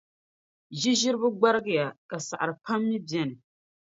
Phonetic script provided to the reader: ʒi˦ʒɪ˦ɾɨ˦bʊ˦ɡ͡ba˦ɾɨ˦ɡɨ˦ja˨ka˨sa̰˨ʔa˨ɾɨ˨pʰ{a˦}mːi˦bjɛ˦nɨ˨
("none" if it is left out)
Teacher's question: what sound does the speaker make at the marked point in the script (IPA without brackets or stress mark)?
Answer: a˦